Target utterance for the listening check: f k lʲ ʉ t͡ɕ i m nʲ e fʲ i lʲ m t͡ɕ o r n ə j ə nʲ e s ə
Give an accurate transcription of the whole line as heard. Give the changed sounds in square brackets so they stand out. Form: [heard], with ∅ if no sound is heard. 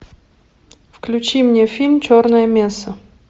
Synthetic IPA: f k lʲ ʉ t͡ɕ i m nʲ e fʲ i lʲ m t͡ɕ o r n ə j ə [mʲ] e s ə